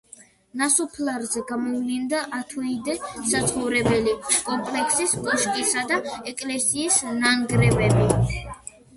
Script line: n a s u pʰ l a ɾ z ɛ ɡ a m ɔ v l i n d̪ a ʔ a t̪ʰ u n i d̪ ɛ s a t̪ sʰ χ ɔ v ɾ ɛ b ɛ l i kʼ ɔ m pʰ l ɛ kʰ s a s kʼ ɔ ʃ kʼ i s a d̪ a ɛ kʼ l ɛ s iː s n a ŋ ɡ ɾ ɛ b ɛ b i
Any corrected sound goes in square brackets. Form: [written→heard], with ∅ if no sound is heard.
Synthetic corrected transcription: n a s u pʰ l a ɾ z ɛ ɡ a m ɔ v l i n d̪ a ʔ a t̪ʰ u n i d̪ ɛ s a t̪ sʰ χ ɔ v ɾ ɛ b ɛ l i kʼ ɔ m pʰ l ɛ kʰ s [a→i] s kʼ ɔ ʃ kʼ i s a d̪ a ɛ kʼ l ɛ s iː s n a ŋ ɡ ɾ ɛ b ɛ b i